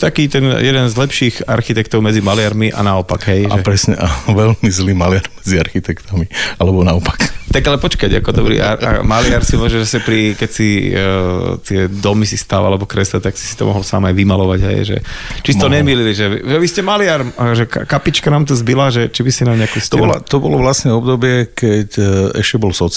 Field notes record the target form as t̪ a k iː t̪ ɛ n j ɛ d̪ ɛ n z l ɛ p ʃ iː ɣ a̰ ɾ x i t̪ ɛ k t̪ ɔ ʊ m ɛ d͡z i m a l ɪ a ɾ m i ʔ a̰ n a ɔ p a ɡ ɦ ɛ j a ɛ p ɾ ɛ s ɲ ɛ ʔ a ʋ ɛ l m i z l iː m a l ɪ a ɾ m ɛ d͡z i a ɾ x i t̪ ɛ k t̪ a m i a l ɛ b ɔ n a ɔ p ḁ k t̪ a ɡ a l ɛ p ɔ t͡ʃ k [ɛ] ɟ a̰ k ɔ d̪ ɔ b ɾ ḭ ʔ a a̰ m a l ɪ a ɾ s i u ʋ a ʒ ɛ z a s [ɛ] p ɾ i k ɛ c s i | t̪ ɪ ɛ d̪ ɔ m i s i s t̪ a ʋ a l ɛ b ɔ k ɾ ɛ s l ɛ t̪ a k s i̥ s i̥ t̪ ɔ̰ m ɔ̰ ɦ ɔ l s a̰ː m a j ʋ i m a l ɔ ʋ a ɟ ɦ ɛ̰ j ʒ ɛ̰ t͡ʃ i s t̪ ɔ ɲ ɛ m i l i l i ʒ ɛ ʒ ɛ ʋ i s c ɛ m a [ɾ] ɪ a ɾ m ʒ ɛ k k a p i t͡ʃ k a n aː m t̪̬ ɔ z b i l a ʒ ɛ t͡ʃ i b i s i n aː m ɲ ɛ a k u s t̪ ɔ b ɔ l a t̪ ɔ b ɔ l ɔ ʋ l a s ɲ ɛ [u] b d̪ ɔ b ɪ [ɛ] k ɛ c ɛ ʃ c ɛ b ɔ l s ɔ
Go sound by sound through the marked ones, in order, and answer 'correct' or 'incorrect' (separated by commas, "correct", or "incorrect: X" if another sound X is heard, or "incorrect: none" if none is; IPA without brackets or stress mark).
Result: incorrect: a, correct, incorrect: l, incorrect: ɔ, correct